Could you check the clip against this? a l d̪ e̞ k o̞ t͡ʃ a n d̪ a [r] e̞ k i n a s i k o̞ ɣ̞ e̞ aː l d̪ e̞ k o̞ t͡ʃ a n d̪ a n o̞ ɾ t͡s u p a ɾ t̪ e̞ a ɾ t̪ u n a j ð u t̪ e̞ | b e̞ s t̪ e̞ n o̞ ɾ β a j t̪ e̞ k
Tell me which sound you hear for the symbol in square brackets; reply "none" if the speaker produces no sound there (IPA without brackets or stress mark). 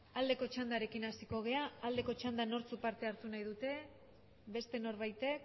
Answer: ɾ